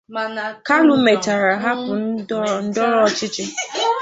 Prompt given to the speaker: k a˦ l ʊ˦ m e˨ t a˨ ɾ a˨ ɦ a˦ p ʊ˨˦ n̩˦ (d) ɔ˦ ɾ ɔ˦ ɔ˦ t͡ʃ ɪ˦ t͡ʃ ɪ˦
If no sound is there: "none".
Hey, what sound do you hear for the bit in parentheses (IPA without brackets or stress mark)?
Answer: d